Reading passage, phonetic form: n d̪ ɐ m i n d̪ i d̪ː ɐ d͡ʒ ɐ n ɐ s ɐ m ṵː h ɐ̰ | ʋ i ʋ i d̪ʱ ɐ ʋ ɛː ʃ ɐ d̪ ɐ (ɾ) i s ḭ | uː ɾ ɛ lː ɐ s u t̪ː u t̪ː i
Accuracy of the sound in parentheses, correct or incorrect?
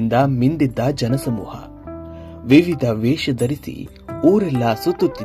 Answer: correct